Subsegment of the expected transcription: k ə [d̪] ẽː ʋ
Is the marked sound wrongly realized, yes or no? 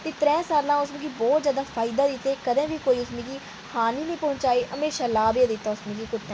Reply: no